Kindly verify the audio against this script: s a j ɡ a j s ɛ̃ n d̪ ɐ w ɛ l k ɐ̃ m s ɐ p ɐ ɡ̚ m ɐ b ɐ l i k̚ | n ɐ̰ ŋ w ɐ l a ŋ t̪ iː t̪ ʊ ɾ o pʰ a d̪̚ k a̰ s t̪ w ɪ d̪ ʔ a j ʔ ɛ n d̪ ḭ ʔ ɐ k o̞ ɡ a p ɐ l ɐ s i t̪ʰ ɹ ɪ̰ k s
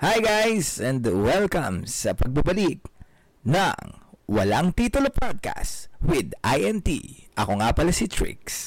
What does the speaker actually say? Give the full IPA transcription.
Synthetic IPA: h a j ɡ a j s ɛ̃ n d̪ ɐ w ɛ l k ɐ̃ m s ɐ p ɐ ɡ̚ b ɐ b ɐ l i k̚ | n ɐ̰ ŋ w ɐ l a ŋ t̪ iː t̪ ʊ l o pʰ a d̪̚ k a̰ s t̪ w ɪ d̪ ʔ a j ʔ ɛ n t̪ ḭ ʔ ɐ k o̞ ŋ a p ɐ l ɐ s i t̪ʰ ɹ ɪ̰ k s